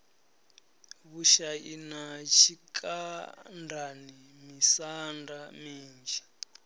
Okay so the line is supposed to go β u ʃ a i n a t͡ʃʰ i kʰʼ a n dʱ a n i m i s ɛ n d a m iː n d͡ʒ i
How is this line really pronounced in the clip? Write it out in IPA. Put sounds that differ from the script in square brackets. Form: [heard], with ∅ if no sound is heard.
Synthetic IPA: β u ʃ a i n a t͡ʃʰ i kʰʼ a n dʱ a n i m i s [a] n d a m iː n d͡ʒ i